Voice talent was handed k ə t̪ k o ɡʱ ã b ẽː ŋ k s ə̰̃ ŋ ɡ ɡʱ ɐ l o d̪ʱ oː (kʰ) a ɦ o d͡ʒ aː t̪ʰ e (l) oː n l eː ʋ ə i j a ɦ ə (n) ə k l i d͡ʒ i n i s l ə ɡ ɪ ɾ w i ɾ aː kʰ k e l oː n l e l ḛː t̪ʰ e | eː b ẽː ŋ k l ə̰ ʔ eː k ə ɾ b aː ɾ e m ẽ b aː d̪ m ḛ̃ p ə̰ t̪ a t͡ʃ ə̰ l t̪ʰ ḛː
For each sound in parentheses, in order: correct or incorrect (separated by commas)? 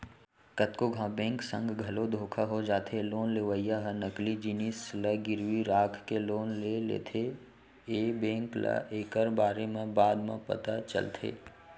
correct, correct, correct